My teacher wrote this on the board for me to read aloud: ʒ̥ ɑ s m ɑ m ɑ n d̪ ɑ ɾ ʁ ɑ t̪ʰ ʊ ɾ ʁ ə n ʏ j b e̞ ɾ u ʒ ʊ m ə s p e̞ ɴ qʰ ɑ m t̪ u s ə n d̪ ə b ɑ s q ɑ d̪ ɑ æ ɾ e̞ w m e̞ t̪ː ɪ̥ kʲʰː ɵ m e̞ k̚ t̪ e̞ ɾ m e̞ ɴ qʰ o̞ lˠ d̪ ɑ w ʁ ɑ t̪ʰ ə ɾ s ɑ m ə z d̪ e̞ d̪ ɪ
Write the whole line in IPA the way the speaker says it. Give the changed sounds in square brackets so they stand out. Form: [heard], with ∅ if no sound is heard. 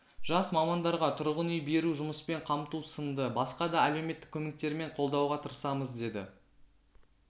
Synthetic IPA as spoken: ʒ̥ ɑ s m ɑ m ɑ n d̪ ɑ ɾ ʁ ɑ t̪ʰ ʊ ɾ ʁ ə n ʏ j b e̞ ɾ u ʒ ʊ m ə s p e̞ ɴ qʰ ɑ m t̪ u s ə n d̪ ə b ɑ s q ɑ d̪ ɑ æ [l] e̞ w m e̞ t̪ː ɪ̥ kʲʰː ɵ m e̞ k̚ t̪ e̞ ɾ m e̞ ɴ qʰ o̞ lˠ d̪ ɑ w ʁ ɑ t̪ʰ ə ɾ s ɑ m ə z d̪ e̞ d̪ ɪ